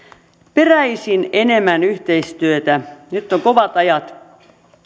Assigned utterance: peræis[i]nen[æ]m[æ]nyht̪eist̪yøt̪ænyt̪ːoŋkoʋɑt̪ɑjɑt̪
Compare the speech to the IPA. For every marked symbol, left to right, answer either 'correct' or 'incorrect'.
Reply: correct, incorrect, correct

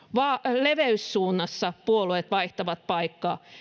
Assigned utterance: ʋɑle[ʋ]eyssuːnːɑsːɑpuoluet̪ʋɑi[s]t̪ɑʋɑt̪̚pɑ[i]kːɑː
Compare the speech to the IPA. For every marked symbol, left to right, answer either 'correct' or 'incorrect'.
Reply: correct, incorrect, correct

